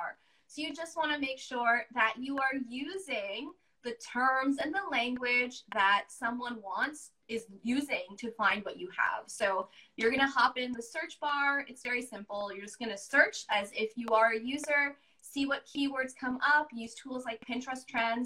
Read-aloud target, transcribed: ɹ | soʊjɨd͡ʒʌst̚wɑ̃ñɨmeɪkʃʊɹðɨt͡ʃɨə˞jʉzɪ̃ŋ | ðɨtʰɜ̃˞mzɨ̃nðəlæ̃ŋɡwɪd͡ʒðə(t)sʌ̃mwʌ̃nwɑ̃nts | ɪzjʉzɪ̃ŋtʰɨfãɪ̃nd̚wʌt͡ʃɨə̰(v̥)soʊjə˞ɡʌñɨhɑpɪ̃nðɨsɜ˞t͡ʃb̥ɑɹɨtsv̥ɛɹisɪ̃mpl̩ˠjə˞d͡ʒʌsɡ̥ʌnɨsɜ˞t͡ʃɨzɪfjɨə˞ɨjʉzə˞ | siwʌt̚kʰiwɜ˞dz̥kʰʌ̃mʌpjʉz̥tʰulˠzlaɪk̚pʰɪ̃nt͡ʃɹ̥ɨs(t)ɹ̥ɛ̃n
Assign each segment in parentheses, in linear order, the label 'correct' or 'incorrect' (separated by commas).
correct, correct, incorrect